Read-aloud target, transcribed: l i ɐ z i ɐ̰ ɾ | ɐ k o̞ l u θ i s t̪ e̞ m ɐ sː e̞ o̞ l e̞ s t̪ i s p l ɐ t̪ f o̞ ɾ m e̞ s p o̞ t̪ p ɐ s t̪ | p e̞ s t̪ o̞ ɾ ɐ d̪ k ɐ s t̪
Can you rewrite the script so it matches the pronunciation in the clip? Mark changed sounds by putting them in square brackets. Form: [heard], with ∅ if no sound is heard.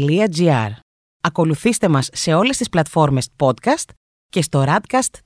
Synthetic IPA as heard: l i ɐ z i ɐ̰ ɾ | ɐ k o̞ l u θ i s t̪ e̞ m ɐ sː e̞ o̞ l e̞ s t̪ i s p l ɐ t̪ f o̞ ɾ m e̞ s p o̞ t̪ [k] ɐ s t̪ | [c] e̞ s t̪ o̞ ɾ ɐ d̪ k ɐ s t̪